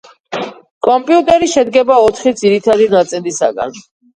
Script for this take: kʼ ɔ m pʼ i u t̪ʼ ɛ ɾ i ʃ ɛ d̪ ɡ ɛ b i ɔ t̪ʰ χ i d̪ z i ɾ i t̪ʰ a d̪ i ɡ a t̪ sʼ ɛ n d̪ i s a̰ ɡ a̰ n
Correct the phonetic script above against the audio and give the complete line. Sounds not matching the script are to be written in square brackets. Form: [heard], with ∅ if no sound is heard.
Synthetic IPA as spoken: kʼ ɔ m pʼ i u t̪ʼ ɛ ɾ i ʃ ɛ d̪ ɡ ɛ b [a] ɔ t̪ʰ χ i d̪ z i ɾ i t̪ʰ a d̪ i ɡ a t̪ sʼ ɛ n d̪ i s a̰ ɡ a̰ n